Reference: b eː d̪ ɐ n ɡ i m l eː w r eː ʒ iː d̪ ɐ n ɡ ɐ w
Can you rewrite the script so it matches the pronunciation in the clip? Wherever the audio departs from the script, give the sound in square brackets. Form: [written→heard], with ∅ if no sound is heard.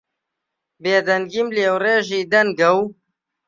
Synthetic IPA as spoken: b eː d̪ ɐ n ɡ i m l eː w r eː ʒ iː d̪ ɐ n ɡ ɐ w